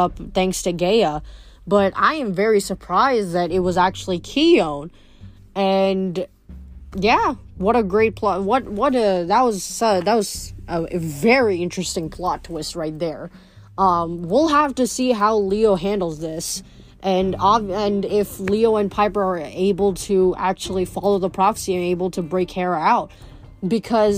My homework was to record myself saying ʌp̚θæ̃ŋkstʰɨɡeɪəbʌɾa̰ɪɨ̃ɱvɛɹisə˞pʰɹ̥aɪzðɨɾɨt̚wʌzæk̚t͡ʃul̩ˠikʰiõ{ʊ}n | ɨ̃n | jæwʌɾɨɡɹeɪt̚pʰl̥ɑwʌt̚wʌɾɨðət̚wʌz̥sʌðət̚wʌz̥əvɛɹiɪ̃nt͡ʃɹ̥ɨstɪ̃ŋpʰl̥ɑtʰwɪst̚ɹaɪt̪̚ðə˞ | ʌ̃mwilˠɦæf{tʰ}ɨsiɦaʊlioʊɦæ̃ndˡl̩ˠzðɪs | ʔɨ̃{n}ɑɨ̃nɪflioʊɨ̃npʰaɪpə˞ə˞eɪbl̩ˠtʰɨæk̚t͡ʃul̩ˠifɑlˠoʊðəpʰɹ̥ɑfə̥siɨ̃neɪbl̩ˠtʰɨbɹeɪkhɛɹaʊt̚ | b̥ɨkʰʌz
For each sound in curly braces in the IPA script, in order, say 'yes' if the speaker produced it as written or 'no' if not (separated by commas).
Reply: no, no, yes